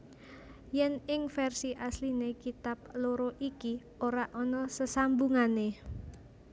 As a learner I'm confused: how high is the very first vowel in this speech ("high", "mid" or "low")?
mid